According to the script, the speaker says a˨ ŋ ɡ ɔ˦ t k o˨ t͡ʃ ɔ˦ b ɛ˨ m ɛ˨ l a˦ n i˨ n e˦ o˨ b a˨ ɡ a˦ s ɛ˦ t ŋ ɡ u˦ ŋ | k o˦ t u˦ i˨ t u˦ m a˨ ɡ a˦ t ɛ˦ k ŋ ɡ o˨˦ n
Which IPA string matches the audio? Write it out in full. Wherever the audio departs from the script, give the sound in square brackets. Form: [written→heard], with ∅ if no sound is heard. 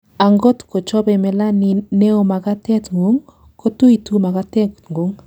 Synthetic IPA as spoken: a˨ ŋ ɡ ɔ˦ t k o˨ t͡ʃ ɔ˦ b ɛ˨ m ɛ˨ l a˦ n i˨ n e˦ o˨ [b→m] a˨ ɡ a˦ [s→t] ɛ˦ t ŋ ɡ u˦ ŋ | k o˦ t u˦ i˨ t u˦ m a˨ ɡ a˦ t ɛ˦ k ŋ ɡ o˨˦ [n→ŋ]

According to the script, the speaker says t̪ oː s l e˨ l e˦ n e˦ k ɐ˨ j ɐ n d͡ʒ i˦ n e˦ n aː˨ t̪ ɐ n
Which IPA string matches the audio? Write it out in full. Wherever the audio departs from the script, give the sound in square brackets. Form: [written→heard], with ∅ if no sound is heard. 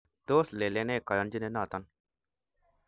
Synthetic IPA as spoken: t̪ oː s l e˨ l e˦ n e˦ k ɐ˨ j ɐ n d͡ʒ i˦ n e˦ n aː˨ t̪ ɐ n

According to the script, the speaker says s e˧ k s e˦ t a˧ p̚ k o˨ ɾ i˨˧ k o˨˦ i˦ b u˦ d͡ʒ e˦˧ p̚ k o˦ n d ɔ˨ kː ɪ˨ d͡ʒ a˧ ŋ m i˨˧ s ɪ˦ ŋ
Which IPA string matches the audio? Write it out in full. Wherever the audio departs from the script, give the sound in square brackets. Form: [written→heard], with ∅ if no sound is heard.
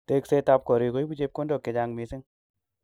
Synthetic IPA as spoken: [s→t] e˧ k s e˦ t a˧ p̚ k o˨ ɾ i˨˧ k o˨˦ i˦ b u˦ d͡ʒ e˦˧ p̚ k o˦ n d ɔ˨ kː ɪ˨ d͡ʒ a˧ ŋ m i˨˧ s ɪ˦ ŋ

